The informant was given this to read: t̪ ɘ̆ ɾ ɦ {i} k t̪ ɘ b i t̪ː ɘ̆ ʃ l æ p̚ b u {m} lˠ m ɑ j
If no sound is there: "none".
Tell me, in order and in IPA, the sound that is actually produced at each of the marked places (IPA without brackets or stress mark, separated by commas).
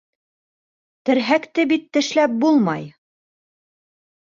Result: æ, none